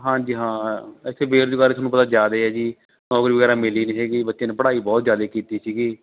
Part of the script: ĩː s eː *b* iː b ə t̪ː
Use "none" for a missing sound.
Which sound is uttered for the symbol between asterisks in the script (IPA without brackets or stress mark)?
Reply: ɡ